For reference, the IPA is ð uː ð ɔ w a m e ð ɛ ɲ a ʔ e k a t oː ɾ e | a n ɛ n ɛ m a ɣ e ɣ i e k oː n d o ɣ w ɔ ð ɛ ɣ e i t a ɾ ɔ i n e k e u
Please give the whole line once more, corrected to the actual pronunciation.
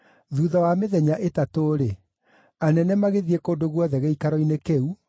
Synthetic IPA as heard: ð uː ð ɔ w a m e ð ɛ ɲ a ʔ e t a t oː ɾ e | a n ɛ n ɛ m a ɣ e ð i e k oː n d o ɣ w ɔ ð ɛ ɣ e i k a ɾ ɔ i n e k e u